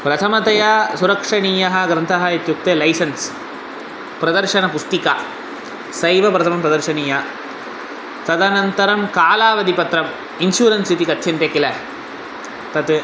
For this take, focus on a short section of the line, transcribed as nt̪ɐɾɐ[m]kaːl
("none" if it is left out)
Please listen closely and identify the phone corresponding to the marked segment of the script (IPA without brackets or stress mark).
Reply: m